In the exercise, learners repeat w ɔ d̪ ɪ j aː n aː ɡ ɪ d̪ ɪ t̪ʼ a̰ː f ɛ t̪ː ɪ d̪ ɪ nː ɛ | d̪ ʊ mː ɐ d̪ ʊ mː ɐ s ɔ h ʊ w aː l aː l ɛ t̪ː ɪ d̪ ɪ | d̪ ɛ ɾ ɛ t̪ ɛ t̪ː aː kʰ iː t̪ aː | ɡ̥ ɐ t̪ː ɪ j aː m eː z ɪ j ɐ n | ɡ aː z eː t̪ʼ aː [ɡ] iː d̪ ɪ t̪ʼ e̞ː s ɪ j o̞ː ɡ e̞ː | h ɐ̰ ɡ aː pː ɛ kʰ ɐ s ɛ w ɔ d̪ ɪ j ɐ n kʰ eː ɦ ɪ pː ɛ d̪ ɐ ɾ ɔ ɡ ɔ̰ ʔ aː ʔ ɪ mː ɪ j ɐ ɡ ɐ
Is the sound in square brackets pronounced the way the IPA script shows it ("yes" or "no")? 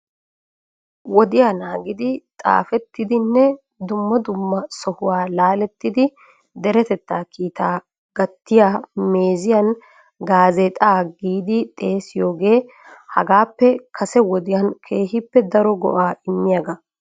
yes